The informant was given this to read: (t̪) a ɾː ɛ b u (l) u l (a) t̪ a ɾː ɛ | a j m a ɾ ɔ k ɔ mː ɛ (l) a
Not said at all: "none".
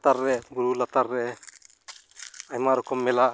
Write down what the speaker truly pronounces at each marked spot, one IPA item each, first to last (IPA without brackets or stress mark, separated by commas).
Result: t̪, ɾ, a, l